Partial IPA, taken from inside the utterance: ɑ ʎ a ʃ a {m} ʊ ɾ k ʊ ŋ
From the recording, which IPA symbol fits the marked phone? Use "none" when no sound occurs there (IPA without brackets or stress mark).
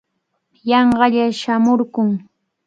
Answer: m